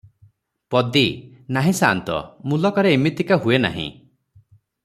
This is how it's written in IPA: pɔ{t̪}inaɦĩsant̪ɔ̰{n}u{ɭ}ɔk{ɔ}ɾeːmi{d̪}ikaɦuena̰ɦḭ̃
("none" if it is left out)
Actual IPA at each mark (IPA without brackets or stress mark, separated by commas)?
d̪, m, l, ɔ, t̪